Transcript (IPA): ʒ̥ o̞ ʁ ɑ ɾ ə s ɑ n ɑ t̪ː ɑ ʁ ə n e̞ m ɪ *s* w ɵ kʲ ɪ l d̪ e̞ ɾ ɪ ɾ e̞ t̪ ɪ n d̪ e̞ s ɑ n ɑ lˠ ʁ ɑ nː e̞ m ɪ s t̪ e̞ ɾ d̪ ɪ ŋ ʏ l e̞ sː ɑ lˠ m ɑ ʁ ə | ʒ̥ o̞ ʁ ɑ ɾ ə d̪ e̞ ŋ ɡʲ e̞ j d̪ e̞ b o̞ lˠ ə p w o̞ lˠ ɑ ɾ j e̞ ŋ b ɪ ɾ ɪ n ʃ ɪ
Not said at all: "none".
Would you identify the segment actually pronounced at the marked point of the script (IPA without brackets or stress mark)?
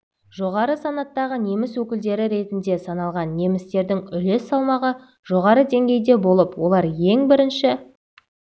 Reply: s